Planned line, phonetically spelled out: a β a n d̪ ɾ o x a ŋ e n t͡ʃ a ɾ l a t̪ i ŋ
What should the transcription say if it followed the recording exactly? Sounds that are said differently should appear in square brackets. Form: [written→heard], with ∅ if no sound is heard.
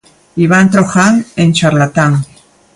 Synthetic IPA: [a→i] β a n [d̪→t̪] ɾ o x a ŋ e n t͡ʃ a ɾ l a t̪ [i→a] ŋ